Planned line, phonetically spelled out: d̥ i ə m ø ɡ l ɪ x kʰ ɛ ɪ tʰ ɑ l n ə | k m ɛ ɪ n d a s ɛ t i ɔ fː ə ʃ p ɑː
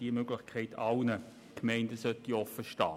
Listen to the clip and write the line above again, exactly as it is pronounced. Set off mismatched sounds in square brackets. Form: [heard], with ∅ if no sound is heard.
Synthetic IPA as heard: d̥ i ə m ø ɡ l ɪ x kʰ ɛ ɪ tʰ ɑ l n ə | k m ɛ ɪ n d [ə] s [œ] t i ɔ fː ə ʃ [t] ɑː